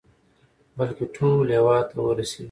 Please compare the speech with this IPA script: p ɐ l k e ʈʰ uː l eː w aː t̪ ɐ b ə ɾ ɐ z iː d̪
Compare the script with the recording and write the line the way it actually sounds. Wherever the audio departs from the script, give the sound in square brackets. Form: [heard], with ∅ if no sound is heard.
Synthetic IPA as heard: [b] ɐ l k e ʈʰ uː l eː w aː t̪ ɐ [w] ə ɾ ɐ [s] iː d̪

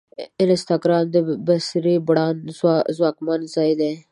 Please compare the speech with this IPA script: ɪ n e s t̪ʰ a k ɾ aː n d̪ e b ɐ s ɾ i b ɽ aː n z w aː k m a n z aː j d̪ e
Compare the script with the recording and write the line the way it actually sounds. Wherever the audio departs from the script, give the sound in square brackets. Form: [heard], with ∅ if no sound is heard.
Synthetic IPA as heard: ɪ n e s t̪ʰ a k ɾ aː n d̪ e b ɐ s ɾ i b ɽ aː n z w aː k m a n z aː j d̪ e

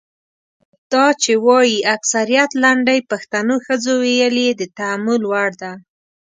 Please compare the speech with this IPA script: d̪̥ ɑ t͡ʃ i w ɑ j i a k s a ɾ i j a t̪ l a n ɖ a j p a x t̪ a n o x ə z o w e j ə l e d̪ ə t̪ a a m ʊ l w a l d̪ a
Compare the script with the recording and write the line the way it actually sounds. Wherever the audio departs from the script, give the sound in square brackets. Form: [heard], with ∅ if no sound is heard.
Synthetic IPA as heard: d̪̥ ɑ t͡ʃ [e] w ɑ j i a k s a ɾ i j a t̪ l a [ɳ] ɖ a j p a x t̪ a n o x ə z o w e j ə l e d̪ ə t̪ a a m ʊ l w a [ɽ] d̪ a

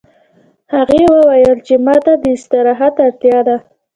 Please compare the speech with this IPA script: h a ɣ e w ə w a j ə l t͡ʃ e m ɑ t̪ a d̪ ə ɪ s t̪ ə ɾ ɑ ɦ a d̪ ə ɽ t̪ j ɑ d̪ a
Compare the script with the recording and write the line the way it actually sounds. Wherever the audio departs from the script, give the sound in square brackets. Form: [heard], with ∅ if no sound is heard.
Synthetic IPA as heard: h a ɣ e w ə w a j ə l t͡ʃ e m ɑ t̪ a d̪ ə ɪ s t̪ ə ɾ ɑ ɦ a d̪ [a] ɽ t̪ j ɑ d̪ a

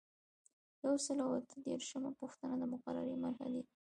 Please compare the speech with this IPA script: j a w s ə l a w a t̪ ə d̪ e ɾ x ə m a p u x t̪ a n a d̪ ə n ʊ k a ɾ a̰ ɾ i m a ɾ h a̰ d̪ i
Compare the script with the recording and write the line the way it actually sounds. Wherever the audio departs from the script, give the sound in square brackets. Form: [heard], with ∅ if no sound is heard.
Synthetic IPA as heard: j a w s ə l a w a t̪ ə d̪ e ɾ [ʃ] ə m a p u x t̪ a n a d̪ ə [m] ʊ [q] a ɾ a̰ ɾ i m a ɾ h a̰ d̪ i

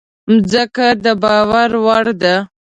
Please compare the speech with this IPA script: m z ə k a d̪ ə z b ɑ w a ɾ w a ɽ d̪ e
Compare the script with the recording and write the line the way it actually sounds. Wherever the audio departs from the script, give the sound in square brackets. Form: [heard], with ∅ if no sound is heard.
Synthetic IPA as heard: m z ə k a d̪ ə [∅] b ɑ w a ɾ w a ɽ d̪ [a]

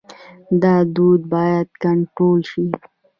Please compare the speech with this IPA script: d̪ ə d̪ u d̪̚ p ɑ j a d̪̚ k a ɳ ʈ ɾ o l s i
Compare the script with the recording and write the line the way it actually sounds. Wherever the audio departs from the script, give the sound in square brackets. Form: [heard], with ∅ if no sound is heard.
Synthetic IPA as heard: d̪ [ɑ] d̪ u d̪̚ [b] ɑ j a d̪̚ k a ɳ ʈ ɾ o l [ʃ] i

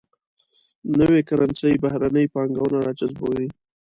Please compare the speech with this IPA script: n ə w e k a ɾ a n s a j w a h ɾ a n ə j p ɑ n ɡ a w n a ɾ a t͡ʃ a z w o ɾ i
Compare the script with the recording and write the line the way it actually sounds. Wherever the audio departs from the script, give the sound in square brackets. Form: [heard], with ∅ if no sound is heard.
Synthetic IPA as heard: n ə w e k a ɾ a n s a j [b] a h ɾ a n ə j p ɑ [ŋ] ɡ a w n a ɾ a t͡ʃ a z [b] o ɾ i

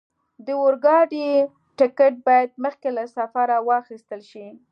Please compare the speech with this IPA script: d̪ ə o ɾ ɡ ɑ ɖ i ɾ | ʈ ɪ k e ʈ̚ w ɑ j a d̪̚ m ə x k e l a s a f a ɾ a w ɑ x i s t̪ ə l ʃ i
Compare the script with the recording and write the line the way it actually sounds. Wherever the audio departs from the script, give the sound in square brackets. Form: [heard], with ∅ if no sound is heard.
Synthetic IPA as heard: d̪ ə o ɾ ɡ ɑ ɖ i [∅] | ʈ ɪ k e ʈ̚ [b] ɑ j a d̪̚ m ə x k e l a s a f a ɾ a w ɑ x i s t̪ ə l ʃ i

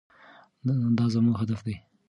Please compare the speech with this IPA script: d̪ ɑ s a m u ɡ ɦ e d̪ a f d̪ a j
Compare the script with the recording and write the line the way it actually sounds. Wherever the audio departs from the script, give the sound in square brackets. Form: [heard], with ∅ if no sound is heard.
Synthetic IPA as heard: d̪ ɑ [z] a m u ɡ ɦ [a] d̪ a f d̪ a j

